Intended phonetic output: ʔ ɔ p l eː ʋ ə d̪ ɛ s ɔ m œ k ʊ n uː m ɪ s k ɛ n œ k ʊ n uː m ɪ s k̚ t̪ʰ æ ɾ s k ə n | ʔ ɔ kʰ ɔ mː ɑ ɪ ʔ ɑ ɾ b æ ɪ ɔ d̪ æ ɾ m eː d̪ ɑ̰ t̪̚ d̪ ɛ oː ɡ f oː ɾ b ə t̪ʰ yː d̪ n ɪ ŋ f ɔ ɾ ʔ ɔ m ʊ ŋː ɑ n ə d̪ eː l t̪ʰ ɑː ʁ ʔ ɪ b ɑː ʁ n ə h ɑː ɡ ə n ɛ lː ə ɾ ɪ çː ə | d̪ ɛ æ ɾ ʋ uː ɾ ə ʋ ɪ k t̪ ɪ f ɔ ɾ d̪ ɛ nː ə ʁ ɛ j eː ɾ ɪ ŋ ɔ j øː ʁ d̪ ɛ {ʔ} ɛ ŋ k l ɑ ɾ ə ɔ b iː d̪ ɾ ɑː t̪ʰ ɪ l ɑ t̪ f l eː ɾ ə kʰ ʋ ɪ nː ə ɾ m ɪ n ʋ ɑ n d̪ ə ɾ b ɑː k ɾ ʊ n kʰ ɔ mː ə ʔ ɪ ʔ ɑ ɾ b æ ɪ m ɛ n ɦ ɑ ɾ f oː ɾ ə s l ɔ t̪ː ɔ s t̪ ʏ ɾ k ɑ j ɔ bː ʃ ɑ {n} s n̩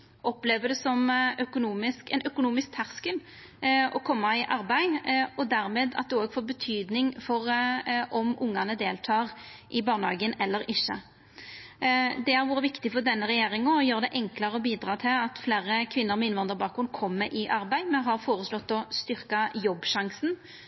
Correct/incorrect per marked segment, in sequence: correct, incorrect: ŋ

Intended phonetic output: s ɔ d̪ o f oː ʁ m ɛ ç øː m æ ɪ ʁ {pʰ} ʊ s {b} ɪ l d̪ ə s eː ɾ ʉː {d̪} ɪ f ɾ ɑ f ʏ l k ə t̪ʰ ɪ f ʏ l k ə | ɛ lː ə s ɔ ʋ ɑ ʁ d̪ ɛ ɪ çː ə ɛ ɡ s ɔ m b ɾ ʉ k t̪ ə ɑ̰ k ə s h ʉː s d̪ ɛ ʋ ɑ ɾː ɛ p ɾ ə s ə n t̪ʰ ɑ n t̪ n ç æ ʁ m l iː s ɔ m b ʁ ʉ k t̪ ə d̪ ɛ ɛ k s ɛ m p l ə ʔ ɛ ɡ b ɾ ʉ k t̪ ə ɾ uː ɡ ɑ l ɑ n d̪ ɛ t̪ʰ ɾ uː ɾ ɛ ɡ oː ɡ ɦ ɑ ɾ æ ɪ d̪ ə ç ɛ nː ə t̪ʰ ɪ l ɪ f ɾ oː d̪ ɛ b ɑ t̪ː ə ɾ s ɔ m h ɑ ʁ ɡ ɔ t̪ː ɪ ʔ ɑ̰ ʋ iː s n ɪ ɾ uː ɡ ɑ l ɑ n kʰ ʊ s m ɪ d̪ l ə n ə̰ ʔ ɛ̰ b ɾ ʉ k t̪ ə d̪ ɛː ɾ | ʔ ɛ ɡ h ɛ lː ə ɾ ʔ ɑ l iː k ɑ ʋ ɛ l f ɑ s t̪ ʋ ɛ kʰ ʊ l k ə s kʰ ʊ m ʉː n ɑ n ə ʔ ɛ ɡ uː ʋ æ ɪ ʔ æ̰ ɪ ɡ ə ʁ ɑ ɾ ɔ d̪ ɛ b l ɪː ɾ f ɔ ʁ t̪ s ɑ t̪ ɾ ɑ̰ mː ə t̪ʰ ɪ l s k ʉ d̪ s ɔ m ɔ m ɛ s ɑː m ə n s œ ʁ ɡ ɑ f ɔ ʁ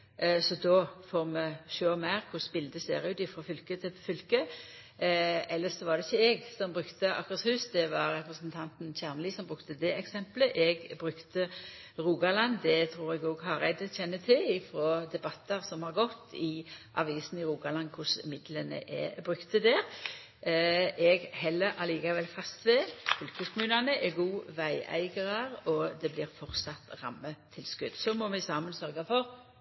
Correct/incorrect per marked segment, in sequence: incorrect: kʰ, correct, incorrect: t̪

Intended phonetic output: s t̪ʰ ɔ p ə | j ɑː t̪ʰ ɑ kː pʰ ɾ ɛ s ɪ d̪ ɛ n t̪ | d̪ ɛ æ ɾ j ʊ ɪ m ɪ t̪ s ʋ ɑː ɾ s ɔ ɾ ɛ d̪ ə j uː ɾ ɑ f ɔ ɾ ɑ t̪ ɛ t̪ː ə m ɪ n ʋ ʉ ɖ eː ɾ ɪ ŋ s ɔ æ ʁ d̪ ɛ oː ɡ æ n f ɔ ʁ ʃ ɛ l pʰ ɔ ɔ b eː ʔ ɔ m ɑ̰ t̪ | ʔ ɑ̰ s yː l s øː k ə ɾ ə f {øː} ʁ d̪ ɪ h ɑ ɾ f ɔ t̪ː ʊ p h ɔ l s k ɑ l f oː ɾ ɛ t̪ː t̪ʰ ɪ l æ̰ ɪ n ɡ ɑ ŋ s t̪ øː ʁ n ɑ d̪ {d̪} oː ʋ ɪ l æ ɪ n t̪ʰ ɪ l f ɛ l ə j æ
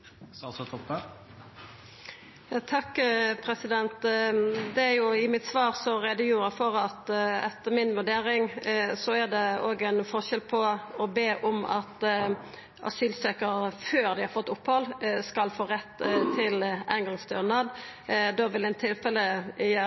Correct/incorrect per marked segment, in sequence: correct, correct

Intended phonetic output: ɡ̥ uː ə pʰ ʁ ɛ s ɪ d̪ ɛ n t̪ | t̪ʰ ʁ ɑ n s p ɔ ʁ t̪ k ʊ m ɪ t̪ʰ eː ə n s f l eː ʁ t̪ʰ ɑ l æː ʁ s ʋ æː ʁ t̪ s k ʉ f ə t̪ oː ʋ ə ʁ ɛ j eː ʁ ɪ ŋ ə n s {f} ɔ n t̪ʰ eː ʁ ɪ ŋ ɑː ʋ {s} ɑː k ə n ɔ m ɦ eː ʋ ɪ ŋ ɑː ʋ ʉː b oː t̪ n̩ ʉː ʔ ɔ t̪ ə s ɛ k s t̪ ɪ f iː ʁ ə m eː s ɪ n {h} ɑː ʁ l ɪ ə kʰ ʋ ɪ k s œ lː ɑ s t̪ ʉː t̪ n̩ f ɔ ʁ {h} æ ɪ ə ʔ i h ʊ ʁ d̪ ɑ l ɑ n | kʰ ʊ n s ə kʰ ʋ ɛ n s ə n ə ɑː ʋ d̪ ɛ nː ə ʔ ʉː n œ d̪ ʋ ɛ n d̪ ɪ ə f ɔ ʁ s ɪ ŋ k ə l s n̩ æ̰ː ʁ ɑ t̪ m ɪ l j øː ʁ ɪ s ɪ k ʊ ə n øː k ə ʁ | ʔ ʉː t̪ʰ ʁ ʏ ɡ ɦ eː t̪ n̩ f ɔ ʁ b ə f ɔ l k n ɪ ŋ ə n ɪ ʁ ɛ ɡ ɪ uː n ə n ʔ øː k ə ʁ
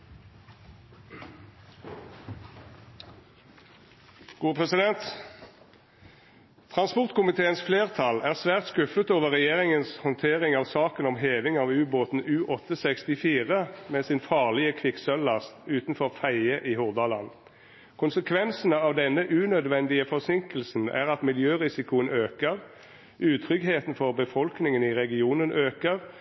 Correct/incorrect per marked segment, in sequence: incorrect: h, correct, incorrect: f, incorrect: f

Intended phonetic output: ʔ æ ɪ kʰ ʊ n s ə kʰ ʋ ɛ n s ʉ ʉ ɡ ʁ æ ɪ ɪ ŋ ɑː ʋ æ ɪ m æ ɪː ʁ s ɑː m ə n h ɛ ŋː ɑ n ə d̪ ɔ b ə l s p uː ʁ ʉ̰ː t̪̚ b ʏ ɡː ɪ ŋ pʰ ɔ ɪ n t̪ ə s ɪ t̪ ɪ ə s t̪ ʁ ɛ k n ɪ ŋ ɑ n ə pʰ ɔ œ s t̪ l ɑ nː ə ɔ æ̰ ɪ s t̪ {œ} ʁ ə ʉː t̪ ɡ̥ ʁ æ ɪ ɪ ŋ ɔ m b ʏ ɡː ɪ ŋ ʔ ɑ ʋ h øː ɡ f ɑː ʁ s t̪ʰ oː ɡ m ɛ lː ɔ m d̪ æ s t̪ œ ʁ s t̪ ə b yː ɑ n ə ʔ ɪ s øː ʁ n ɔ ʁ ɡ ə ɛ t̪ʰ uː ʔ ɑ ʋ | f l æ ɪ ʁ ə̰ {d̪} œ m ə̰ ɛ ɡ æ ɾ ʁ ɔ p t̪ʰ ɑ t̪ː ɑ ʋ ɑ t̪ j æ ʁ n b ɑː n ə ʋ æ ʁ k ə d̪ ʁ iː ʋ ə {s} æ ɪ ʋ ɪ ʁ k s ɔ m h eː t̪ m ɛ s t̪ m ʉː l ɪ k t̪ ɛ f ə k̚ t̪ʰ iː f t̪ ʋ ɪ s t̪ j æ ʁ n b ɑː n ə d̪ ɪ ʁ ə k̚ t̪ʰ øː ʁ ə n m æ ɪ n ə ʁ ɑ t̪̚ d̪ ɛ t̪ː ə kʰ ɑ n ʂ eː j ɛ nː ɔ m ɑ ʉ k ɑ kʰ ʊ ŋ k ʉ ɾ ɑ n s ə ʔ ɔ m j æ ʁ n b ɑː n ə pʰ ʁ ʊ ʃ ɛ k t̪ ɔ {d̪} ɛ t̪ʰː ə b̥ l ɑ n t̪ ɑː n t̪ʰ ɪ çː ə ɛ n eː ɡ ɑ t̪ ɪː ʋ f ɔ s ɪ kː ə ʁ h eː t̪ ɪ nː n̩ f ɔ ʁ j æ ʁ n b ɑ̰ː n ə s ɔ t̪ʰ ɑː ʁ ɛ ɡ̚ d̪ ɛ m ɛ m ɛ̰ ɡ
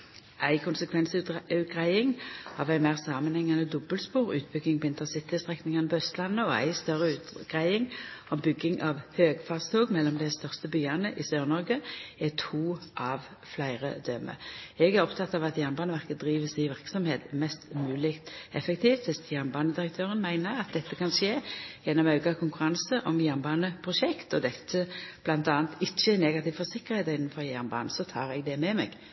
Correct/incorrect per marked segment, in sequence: correct, correct, correct, correct

